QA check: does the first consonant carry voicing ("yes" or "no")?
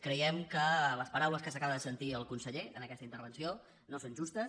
no